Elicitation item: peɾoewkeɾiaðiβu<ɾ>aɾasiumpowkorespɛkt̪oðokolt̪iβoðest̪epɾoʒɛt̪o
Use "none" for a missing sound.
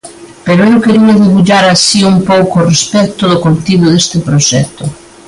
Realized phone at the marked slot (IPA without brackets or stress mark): ʎ